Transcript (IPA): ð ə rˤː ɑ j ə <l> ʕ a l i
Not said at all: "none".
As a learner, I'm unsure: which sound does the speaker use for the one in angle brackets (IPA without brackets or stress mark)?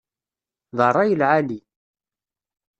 l